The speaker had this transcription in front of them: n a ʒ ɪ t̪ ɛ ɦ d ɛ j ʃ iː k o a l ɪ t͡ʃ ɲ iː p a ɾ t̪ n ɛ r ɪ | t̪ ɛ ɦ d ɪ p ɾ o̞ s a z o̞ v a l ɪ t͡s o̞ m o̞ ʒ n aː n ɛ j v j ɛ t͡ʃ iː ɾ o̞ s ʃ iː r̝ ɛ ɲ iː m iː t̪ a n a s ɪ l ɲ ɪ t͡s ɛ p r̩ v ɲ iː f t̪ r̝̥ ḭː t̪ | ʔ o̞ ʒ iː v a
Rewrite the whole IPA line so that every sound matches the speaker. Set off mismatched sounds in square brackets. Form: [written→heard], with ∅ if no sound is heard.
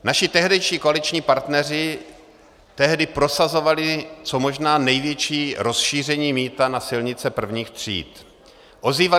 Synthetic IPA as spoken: n a [ʒ→ʃ] ɪ t̪ ɛ ɦ d ɛ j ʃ iː k o a l ɪ t͡ʃ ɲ iː p a ɾ t̪ n ɛ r ɪ | t̪ ɛ ɦ d ɪ p ɾ o̞ s a z o̞ v a l ɪ t͡s o̞ m o̞ ʒ n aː n ɛ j v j ɛ t͡ʃ iː ɾ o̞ s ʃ iː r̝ ɛ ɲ iː m iː t̪ a n a s ɪ l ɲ ɪ t͡s ɛ p r̩ v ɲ iː [f→x] t̪ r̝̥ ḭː t̪ | ʔ o̞ [ʒ→z] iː v a

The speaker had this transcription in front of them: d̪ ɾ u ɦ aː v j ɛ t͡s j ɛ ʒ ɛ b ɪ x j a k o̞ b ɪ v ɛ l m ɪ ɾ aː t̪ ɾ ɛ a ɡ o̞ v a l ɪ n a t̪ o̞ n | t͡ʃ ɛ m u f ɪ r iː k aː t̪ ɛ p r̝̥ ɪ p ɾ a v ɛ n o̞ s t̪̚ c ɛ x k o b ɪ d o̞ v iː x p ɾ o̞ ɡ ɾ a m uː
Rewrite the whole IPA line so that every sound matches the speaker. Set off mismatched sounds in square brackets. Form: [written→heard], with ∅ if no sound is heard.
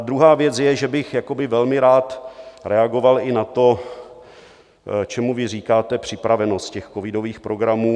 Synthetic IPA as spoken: d̪ ɾ u ɦ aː v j ɛ t͡s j ɛ ʒ ɛ b ɪ x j a k o̞ b ɪ v ɛ l m ɪ ɾ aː t̪ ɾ ɛ a ɡ o̞ v a l ɪ n a t̪ o̞ [n→∅] | t͡ʃ ɛ m u [f→v] ɪ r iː k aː t̪ ɛ p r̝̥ ɪ p ɾ a v ɛ n o̞ s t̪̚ c ɛ x k o [b→v] ɪ d o̞ v iː x p ɾ o̞ ɡ ɾ a m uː

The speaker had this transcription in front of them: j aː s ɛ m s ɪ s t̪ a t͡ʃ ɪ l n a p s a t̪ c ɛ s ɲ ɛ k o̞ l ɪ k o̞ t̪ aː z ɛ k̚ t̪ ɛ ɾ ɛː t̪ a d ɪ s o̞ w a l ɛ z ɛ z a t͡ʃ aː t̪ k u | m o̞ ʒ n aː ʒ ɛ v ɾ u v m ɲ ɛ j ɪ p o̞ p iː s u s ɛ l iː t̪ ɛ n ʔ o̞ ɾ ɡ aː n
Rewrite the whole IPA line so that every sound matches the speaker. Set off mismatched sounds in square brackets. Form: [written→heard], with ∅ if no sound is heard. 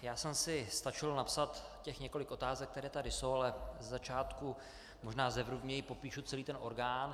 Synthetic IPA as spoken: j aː s ɛ m s ɪ s t̪ a t͡ʃ ɪ l n a p s a t̪ c ɛ [s→x] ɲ ɛ k o̞ l ɪ k o̞ t̪ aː z ɛ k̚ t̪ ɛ ɾ ɛː t̪ a d ɪ s o̞ w a l ɛ z ɛ z a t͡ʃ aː t̪ k u | m o̞ ʒ n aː [ʒ→z] ɛ v ɾ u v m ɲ ɛ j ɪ p o̞ p iː [s→ʃ] u [s→t͡s] ɛ l iː t̪ ɛ n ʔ o̞ ɾ ɡ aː n

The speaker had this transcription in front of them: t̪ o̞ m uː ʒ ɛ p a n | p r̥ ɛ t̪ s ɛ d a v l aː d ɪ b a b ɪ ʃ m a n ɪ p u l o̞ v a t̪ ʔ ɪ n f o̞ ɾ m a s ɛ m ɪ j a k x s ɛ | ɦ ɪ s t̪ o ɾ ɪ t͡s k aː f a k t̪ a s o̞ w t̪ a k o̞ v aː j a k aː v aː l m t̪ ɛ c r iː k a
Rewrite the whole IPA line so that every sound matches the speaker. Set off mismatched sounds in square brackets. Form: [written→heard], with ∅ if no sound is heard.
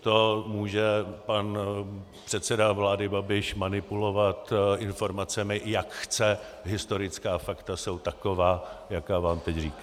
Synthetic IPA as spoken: t̪ o̞ m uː ʒ ɛ p a n | p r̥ ɛ t̪ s ɛ d a v l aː d ɪ b a b ɪ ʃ m a n ɪ p u l o̞ v a t̪ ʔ ɪ n f o̞ ɾ m a [s→t͡s] ɛ m ɪ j a k x [s→t͡s] ɛ | ɦ ɪ s t̪ o ɾ ɪ t͡s k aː f a k t̪ a s o̞ w t̪ a k o̞ v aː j a k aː v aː [l→∅] m t̪ ɛ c r iː k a

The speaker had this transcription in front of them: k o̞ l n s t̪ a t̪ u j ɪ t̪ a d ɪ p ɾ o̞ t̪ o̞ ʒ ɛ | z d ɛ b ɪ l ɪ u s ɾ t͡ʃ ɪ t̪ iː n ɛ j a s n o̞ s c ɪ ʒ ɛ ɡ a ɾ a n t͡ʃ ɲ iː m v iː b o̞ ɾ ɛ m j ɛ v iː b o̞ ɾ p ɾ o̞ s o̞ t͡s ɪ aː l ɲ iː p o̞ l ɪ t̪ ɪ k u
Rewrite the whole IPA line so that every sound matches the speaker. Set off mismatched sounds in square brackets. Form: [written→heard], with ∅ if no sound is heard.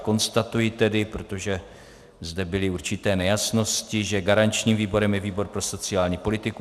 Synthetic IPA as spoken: k o̞ [l→∅] n s t̪ a t̪ u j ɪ t̪ [a→ɛ] d ɪ p ɾ o̞ t̪ o̞ ʒ ɛ | z d ɛ b ɪ l ɪ u [s→∅] ɾ t͡ʃ ɪ t̪ [iː→ɛː] n ɛ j a s n o̞ s c ɪ ʒ ɛ ɡ a ɾ a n t͡ʃ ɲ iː m v iː b o̞ ɾ ɛ m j ɛ v iː b o̞ ɾ p ɾ o̞ s o̞ t͡s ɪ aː l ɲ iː p o̞ l ɪ t̪ ɪ k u

